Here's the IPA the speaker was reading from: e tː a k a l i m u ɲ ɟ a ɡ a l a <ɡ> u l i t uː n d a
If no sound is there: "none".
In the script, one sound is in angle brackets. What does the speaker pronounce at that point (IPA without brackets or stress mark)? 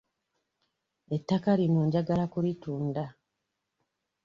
k